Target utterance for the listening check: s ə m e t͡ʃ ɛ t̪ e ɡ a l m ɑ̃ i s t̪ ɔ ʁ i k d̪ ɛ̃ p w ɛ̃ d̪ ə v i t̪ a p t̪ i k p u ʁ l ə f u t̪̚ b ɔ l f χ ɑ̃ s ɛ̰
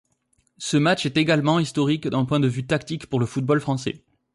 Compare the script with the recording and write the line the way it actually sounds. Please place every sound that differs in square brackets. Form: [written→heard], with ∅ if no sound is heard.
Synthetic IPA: s ə m [e→a] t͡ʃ ɛ t̪ e ɡ a l m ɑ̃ i s t̪ ɔ ʁ i k d̪ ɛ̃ p w ɛ̃ d̪ ə v [i→y] t̪ a [p→k] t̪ i k p u ʁ l ə f u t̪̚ b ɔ l f χ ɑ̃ s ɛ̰